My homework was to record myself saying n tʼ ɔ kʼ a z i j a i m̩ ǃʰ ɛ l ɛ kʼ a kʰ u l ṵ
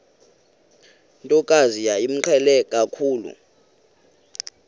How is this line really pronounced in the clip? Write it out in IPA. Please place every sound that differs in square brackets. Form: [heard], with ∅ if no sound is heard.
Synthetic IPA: n tʼ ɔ kʼ a z i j a i m̩ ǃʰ ɛ l ɛ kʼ a kʰ [uː] l ṵ